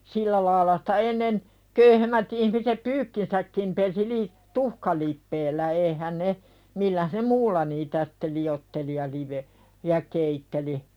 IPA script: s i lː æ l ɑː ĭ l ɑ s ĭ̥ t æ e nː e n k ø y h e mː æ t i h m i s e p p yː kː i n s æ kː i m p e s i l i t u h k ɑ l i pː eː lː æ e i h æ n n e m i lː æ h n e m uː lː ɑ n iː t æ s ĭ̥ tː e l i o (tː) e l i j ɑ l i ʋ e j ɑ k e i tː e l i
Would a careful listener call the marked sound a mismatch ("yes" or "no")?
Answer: no